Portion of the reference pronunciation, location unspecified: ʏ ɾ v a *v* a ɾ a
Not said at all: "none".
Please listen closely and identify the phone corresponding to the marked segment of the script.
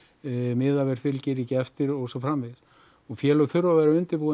v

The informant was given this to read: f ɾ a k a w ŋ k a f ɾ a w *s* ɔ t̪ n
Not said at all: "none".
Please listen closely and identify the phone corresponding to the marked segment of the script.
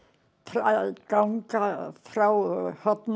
h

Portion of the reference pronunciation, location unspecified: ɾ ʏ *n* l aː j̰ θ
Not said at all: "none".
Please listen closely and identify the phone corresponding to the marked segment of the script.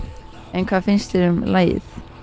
m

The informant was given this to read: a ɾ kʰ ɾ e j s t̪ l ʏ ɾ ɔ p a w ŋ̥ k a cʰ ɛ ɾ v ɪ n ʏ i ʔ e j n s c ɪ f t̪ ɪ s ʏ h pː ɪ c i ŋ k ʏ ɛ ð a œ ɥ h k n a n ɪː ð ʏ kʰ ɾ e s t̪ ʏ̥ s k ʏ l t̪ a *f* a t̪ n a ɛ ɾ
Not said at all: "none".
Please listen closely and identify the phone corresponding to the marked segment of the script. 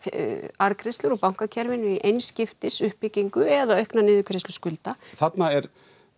θ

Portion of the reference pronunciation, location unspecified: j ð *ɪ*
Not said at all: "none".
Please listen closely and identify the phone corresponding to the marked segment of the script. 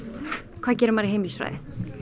ɪ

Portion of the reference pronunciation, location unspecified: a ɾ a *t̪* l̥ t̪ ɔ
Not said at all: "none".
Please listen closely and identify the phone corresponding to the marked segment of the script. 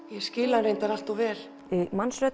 none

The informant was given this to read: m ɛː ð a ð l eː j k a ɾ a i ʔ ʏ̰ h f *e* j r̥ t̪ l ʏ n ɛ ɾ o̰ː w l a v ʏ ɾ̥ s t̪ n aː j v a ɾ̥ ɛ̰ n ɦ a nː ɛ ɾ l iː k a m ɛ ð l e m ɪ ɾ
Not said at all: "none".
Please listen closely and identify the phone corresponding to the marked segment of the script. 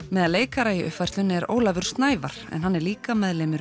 a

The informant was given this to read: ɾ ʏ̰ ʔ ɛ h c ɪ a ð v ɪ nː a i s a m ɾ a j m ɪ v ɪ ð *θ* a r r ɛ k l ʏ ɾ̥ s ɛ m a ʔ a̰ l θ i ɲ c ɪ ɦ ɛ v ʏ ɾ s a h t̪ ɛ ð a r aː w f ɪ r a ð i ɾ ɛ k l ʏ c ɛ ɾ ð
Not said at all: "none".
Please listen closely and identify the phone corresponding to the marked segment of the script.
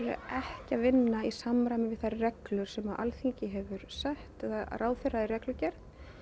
θ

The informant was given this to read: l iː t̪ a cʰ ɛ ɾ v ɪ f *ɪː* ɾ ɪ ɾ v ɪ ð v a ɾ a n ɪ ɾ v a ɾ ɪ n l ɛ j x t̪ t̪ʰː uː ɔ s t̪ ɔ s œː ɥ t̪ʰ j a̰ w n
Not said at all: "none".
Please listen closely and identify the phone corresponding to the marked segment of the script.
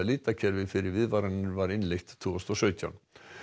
ɪ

